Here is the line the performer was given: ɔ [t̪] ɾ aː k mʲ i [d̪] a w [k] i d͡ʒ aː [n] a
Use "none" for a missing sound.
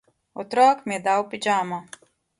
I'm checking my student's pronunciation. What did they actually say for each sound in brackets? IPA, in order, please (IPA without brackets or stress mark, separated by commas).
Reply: t̪, d̪, p, m